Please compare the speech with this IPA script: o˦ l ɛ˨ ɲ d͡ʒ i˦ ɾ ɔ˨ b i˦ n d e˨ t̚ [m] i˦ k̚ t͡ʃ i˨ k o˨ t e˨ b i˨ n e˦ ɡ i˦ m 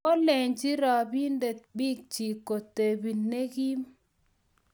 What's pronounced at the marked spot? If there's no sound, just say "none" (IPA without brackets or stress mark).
b